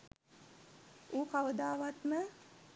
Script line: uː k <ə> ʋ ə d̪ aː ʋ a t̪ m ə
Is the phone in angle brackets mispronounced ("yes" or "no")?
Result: yes